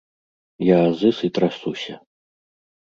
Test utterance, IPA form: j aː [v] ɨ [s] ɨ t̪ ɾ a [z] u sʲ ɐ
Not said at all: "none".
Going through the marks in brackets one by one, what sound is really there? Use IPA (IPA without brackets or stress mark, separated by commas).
z, s, s